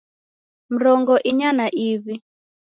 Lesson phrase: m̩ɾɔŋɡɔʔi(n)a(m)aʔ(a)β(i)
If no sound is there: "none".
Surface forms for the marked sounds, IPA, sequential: ɲ, n, i, i

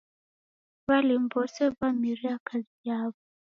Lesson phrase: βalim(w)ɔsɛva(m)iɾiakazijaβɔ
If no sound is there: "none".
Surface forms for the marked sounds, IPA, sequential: b, m

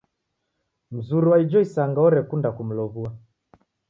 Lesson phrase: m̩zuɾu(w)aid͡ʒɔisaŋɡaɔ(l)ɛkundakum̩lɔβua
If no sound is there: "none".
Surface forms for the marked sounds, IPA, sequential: w, ɾ

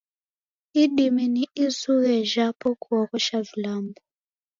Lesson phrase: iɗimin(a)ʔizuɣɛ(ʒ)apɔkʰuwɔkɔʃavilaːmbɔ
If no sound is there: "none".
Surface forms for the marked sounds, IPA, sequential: i, ʒ

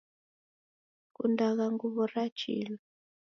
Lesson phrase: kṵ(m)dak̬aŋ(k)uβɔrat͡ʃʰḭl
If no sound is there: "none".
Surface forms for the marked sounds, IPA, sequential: n, ɡ

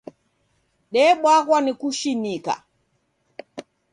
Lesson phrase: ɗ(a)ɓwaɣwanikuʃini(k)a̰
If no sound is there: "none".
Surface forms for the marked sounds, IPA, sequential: ɛ, k

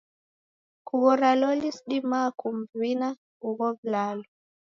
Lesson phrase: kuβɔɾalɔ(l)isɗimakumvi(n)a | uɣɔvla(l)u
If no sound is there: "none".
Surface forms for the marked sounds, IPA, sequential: l, n, l

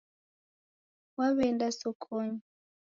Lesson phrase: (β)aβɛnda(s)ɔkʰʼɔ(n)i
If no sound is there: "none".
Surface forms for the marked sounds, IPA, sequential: w, s, ɲ

